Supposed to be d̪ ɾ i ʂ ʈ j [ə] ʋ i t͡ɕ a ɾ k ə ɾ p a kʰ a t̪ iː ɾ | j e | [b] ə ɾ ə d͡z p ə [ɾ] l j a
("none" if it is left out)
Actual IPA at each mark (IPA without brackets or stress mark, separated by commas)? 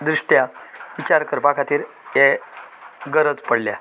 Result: a, ɡ, ɽ